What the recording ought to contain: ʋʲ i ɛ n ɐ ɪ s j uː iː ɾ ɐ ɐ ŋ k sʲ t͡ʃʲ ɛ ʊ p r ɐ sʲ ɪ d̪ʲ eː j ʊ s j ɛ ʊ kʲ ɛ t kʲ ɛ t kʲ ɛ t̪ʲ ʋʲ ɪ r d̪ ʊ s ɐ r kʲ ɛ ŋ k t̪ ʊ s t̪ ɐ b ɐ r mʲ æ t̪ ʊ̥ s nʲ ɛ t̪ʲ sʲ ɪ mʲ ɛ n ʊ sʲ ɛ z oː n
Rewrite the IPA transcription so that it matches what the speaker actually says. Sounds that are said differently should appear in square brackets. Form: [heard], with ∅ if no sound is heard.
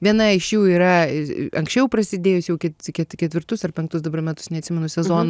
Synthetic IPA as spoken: ʋʲ i ɛ n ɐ ɪ [ʃ] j uː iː ɾ ɐ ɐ ŋ k sʲ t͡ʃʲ ɛ ʊ p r ɐ sʲ ɪ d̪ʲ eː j ʊ s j ɛ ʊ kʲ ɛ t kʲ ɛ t kʲ ɛ t̪ʲ ʋʲ ɪ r [t̪] ʊ s ɐ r [pʲ] ɛ ŋ k t̪ ʊ s [d̪] ɐ b ɐ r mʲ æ t̪ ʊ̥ s nʲ ɛ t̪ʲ sʲ ɪ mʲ ɛ n ʊ sʲ ɛ z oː n